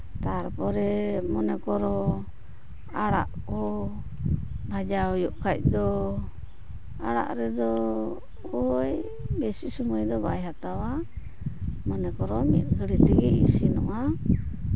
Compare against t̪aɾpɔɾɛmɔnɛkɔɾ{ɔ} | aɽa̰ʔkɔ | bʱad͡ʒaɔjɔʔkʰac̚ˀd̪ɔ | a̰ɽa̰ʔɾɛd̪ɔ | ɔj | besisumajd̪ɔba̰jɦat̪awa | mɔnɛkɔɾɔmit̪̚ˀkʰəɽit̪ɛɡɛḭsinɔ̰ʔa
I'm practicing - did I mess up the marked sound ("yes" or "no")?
no